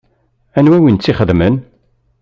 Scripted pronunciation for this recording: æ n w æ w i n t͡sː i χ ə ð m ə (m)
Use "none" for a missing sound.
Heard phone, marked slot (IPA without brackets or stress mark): n